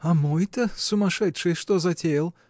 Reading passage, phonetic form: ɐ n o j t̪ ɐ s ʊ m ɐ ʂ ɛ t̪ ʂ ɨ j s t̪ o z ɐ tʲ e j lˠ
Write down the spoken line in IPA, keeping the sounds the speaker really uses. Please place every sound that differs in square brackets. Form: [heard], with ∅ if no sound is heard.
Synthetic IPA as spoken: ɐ [m] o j t̪ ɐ s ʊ m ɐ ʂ ɛ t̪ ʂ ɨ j [ʂ] t̪ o z ɐ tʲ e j lˠ

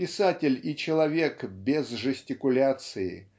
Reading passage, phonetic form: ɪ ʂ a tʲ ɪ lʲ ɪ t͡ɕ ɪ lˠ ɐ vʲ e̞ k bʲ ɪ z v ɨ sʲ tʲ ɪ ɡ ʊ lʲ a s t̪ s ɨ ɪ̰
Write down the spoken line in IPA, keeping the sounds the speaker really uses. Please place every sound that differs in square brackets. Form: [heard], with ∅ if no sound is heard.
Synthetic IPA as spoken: ɪ [s] a tʲ ɪ lʲ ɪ t͡ɕ ɪ lˠ ɐ vʲ e̞ k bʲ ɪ z [ʐ] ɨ sʲ tʲ ɪ [k] ʊ lʲ a [∅] t̪ s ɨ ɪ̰

